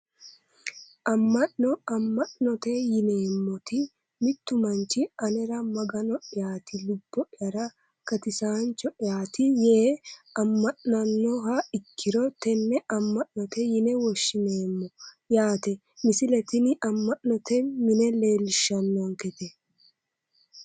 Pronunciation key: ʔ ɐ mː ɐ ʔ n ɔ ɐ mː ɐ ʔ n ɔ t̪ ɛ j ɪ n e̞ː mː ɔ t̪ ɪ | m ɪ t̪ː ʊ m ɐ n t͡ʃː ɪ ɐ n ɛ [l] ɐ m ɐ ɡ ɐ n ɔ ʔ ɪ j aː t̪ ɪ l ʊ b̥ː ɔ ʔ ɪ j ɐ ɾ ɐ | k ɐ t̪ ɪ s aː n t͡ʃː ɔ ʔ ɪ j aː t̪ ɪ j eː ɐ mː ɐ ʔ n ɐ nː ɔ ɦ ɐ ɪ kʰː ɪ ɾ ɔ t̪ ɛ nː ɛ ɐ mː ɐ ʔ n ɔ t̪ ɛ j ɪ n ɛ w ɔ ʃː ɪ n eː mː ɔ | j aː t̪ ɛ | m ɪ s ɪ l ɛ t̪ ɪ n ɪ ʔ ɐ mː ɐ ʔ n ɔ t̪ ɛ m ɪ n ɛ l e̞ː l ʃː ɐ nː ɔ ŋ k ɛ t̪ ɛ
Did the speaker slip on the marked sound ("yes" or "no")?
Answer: yes